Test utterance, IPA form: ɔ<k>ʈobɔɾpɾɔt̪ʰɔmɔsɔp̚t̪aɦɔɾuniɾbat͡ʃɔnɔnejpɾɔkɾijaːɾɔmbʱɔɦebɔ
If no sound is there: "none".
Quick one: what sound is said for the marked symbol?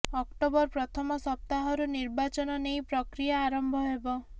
k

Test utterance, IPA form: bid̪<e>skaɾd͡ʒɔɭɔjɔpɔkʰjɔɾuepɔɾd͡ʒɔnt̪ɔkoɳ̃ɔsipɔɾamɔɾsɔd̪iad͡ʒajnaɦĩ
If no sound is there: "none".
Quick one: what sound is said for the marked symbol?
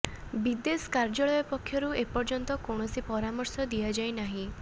e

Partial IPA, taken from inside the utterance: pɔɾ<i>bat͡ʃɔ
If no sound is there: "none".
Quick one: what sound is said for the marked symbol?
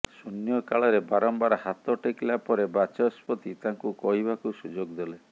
e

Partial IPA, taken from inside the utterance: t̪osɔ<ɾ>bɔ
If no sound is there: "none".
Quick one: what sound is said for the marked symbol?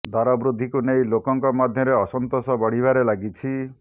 none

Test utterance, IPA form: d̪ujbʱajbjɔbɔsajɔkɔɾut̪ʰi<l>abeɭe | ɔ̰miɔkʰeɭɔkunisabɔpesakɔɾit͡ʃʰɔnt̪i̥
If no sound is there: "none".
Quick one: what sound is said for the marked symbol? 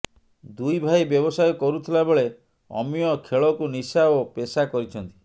l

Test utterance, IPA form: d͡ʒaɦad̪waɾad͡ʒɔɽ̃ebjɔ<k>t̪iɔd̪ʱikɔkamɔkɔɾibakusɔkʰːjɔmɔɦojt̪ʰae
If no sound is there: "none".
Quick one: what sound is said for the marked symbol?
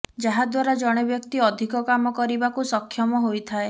k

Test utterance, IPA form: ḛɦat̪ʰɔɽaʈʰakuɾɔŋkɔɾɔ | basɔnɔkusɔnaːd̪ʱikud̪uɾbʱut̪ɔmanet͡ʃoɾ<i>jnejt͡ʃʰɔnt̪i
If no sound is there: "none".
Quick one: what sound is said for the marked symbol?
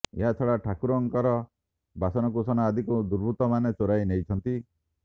a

